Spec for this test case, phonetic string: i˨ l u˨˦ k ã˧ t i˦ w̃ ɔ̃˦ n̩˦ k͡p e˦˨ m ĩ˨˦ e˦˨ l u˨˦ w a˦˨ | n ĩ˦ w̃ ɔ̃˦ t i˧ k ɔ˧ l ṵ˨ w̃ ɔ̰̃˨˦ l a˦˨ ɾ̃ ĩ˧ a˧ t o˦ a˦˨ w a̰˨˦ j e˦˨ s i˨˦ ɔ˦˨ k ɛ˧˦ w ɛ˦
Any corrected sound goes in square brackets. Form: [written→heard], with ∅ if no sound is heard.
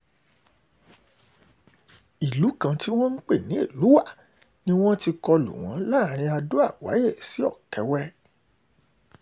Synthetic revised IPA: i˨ l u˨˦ k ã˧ t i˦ w̃ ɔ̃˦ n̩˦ k͡p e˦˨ [m→n] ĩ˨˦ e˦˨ l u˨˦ w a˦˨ | n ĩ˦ w̃ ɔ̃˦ t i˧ k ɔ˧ l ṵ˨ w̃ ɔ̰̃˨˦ l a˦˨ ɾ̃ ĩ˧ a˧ [t→d] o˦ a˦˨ w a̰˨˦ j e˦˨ s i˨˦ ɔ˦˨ k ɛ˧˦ w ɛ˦